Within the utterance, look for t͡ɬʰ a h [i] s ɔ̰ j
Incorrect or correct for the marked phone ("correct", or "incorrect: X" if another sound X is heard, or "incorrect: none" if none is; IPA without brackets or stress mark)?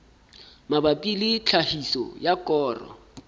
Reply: correct